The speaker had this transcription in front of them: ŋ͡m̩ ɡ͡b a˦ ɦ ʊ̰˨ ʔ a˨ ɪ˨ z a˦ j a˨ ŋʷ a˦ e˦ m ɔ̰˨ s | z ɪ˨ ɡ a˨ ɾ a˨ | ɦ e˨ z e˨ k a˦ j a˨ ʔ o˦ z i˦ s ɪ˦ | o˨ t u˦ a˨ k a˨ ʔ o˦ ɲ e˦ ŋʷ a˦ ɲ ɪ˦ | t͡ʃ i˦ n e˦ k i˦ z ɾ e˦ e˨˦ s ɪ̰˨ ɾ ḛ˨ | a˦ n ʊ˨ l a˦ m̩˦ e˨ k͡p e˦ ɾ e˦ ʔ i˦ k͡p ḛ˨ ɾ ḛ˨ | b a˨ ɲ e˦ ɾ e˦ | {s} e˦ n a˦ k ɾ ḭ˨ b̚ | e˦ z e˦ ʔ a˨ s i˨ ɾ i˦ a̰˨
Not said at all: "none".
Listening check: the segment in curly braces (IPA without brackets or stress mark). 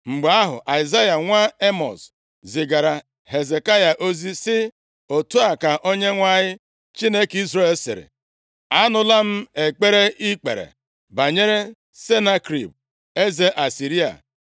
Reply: s